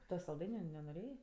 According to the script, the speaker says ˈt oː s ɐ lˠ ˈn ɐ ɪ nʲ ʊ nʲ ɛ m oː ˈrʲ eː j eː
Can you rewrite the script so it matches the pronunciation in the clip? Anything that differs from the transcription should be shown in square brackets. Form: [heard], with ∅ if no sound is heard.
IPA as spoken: ˈt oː s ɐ lˠ [ˈd] ɐ ɪ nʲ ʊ nʲ ɛ [n] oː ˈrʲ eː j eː

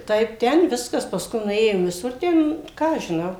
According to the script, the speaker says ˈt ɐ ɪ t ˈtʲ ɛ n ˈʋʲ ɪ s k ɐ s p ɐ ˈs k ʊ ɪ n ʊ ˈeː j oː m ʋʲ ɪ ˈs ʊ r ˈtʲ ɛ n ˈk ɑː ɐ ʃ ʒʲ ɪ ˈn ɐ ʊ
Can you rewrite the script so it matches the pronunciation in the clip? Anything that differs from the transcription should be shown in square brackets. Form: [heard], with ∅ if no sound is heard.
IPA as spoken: ˈt ɐ ɪ [p] ˈtʲ ɛ n ˈʋʲ ɪ s k ɐ s p ɐ ˈs k ʊ ɪ n ʊ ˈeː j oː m ʋʲ ɪ ˈs ʊ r ˈtʲ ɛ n ˈk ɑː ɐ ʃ ʒʲ ɪ ˈn ɐ ʊ

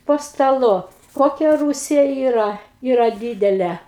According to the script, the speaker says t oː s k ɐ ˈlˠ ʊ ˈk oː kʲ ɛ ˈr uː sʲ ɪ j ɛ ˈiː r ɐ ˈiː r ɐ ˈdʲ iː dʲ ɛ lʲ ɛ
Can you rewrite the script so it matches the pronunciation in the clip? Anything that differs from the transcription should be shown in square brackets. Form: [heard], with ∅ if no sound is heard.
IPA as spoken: [p] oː s [t] ɐ ˈlˠ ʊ ˈk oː kʲ ɛ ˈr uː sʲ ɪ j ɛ ˈiː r ɐ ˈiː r ɐ ˈdʲ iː dʲ ɛ lʲ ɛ

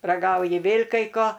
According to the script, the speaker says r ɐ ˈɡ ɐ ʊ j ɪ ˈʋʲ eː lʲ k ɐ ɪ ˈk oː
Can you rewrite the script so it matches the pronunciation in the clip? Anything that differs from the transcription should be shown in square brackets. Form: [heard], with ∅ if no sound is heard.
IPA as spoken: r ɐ ˈɡ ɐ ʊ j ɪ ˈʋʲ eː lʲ k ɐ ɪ ˈk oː

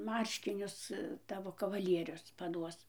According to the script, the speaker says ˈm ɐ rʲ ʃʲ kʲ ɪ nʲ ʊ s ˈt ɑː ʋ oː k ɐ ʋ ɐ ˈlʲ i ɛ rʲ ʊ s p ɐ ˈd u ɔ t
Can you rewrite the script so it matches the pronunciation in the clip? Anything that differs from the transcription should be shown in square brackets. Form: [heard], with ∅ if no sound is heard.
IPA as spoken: ˈm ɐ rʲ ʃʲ kʲ ɪ nʲ ʊ s ˈt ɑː ʋ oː k ɐ ʋ ɐ ˈlʲ i ɛ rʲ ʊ s p ɐ ˈd u ɔ [s]

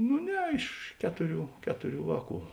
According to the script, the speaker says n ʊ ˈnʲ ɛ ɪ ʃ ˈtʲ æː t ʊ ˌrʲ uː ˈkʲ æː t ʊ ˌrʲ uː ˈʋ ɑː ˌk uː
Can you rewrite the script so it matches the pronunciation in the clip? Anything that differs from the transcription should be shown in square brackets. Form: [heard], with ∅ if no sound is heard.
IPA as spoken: n ʊ ˈnʲ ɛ ɪ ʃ [ˈkʲ] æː t ʊ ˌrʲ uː ˈkʲ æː t ʊ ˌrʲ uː ˈʋ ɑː ˌk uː

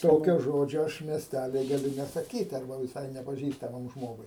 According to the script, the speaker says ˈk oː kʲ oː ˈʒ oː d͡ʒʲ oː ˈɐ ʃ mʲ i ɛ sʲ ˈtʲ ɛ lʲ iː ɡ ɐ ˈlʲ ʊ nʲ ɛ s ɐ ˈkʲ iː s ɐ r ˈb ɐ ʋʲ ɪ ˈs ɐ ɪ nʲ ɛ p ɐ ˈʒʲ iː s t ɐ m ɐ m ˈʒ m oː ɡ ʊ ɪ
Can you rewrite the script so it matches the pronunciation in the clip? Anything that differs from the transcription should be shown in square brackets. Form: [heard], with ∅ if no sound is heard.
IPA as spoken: [ˈt] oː kʲ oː ˈʒ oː d͡ʒʲ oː ˈɐ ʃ mʲ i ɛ sʲ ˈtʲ [æ] lʲ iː ɡ ɐ ˈlʲ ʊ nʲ ɛ s ɐ ˈkʲ iː [t] ɐ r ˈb ɐ ʋʲ ɪ ˈs ɐ ɪ nʲ ɛ p ɐ ˈʒʲ iː s t ɐ m ɐ m ˈʒ m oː ɡ ʊ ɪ

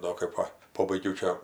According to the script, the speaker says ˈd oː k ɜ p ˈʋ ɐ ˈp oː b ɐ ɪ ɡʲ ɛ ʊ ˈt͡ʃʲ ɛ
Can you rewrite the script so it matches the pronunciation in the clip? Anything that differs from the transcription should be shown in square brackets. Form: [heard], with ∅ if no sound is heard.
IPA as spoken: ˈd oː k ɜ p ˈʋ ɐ ˈp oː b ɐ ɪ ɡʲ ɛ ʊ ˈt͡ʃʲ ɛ

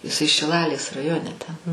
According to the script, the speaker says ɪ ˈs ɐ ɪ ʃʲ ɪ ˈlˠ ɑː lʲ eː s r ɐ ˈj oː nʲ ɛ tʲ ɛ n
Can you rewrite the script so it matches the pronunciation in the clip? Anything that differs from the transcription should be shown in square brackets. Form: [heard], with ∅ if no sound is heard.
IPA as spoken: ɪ ˈs ɐ ɪ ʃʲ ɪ ˈlˠ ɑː lʲ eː s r ɐ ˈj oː nʲ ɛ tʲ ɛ n

